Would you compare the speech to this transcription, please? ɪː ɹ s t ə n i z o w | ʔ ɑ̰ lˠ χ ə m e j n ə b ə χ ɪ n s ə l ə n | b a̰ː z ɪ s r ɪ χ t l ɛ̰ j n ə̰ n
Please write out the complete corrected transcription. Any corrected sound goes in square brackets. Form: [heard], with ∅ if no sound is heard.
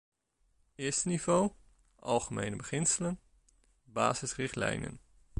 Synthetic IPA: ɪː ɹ s t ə n i [v] o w | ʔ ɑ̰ lˠ χ ə m e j n ə b ə χ ɪ n s ə l ə n | b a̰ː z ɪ s r ɪ χ t l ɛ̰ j n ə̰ n

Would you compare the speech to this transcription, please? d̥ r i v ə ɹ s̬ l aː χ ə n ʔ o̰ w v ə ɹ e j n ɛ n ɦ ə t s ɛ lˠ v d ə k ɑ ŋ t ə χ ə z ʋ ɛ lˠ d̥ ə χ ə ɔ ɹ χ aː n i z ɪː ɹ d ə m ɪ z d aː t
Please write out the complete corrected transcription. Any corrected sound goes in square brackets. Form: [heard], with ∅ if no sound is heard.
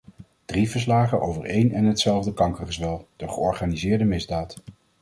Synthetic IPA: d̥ r i v ə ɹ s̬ l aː χ ə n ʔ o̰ w v ə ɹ e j n ɛ n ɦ ə t s ɛ lˠ v d ə k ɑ ŋ [k] ə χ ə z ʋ ɛ lˠ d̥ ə χ ə ɔ ɹ χ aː n i z ɪː ɹ d ə m ɪ z d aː t

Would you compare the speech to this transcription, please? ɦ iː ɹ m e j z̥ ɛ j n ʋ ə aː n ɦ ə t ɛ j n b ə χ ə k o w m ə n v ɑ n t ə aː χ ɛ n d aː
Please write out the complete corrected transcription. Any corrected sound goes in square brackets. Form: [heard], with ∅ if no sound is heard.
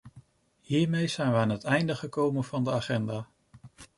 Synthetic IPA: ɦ iː ɹ m e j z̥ ɛ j n ʋ ə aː n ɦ ə t ɛ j n [d] ə χ ə k o w m ə n v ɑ n [d] ə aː χ ɛ n d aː

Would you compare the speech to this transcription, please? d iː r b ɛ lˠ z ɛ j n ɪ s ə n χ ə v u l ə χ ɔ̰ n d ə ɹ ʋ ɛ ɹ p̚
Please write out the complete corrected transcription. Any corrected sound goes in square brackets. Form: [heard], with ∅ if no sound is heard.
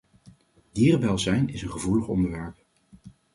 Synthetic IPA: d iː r b ɛ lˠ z ɛ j n ɪ s ə n χ ə v u l ə χ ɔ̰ n d ə ɹ ʋ ɛ ɹ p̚

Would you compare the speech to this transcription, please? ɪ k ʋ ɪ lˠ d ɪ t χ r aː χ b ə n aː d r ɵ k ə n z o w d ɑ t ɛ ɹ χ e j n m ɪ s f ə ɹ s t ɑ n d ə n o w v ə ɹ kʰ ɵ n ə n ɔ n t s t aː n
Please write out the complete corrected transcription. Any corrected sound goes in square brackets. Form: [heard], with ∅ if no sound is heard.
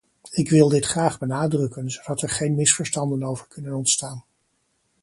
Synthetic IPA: ɪ k ʋ ɪ lˠ d ɪ t χ r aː χ b ə n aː d r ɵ k ə n z o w d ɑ t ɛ ɹ χ e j n m ɪ s f ə ɹ s t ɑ n d ə n o w v ə ɹ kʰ ɵ n ə n ɔ n t s t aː n

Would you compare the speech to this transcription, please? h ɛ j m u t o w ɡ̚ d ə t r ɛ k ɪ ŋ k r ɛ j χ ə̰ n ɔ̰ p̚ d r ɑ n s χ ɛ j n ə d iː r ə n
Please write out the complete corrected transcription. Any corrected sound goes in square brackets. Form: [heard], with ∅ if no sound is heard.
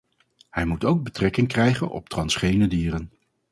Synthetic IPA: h ɛ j m u t o w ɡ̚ [b] ə t r ɛ k ɪ ŋ k r ɛ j χ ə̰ n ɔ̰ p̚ [t] r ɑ n s χ [e] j n ə d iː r ə n

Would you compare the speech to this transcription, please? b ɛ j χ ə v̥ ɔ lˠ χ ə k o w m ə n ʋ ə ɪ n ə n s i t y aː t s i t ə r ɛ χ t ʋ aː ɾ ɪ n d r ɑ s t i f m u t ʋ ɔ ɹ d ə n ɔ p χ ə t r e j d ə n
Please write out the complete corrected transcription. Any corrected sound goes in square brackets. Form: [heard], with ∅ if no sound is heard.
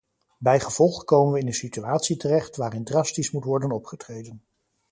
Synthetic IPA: b ɛ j χ ə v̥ ɔ lˠ χ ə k o w m ə n ʋ ə ɪ n ə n s i t y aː t s i t ə r ɛ χ t ʋ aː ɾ ɪ n d r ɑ s t i [s] m u t ʋ ɔ ɹ d ə n ɔ p χ ə t r e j d ə n

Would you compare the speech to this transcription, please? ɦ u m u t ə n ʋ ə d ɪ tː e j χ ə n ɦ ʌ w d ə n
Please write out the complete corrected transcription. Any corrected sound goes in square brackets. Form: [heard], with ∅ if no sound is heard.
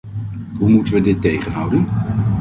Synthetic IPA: ɦ u m u t ə n ʋ ə d ɪ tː e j χ ə n ɦ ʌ w d ə n

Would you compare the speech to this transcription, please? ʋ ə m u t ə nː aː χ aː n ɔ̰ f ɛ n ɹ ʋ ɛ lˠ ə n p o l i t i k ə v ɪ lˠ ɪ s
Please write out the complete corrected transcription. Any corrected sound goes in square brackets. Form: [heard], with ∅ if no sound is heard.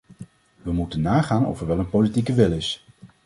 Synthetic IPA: ʋ ə m u t ə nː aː χ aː n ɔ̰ f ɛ [∅] ɹ ʋ ɛ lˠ ə n p o l i t i k ə [ʋ] ɪ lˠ ɪ s

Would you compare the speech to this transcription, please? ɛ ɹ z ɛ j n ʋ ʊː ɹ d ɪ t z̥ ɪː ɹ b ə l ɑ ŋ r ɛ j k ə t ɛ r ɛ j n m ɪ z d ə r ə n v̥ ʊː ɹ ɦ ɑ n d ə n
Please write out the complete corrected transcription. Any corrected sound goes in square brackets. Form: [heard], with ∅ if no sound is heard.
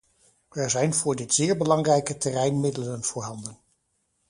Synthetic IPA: ɛ ɹ z ɛ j n [v] ʊː ɹ d ɪ t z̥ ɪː ɹ b ə l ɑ ŋ r ɛ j k ə t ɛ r ɛ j n m ɪ [∅] d ə [l] ə n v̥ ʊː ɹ ɦ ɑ n d ə n

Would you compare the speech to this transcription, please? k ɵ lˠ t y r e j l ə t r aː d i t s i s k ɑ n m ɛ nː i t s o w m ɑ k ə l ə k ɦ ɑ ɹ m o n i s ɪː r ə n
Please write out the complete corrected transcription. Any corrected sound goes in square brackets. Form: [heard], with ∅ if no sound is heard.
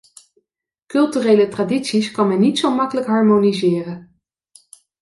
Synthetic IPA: k ɵ lˠ t y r e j l ə t r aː d i t s i s k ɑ n m ɛ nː i t s o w m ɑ k ə l ə k ɦ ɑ ɹ m o n i [z] ɪː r ə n

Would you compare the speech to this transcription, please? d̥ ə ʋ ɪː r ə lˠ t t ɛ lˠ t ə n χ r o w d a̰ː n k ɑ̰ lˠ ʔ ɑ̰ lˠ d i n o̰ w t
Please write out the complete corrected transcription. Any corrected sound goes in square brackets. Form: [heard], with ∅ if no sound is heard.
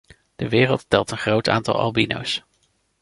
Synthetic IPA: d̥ ə ʋ ɪː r ə lˠ t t ɛ lˠ t ə n χ r o w [t] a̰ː n [t] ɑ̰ lˠ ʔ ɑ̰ lˠ [b] i n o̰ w [s]

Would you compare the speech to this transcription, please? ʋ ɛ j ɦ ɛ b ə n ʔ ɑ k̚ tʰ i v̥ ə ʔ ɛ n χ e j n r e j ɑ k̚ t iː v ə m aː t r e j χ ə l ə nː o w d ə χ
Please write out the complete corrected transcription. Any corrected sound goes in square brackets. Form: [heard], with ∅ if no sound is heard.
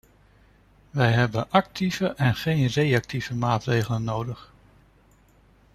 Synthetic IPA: ʋ ɛ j ɦ ɛ b ə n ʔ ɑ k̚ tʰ i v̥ ə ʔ ɛ n χ e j n r e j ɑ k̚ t [i] v ə m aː t r e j χ ə l ə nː o w d ə χ

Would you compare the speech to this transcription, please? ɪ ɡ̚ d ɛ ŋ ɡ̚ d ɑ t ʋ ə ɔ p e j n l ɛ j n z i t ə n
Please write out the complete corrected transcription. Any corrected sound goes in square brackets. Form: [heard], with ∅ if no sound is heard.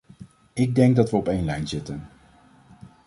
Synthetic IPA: ɪ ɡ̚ d ɛ ŋ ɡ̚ d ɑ t ʋ ə ɔ p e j n l ɛ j n z [ɪ] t ə n

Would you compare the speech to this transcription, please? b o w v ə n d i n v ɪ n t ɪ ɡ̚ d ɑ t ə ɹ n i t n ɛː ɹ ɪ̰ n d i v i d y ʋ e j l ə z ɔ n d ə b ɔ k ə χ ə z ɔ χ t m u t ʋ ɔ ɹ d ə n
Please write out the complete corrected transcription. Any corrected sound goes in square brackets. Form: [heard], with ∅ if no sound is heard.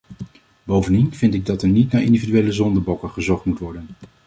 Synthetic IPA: b o w v ə n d i n v ɪ n t ɪ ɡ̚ d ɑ t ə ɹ n i t n [aː] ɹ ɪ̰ n d i v i d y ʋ e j l ə z ɔ n d ə b ɔ k ə χ ə z ɔ χ t m u t ʋ ɔ ɹ d ə n

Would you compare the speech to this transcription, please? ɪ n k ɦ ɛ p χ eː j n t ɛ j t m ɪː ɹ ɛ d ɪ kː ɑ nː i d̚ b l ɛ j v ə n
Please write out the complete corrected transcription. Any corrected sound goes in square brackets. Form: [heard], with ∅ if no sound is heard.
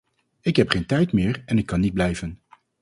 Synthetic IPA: ɪ [∅] k ɦ ɛ p χ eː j n t ɛ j t m ɪː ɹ ɛ [n] ɪ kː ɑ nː i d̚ b l ɛ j v ə n

